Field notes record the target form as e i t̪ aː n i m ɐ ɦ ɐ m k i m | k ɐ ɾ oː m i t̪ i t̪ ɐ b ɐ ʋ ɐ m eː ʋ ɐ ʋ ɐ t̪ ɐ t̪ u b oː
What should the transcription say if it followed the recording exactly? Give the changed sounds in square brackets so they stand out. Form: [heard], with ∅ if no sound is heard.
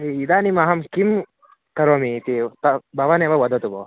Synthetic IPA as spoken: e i [d̪] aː n i m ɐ ɦ ɐ m k i m | k ɐ ɾ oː m i t̪ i t̪ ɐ b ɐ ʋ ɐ [n] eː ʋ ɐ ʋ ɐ [d̪] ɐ t̪ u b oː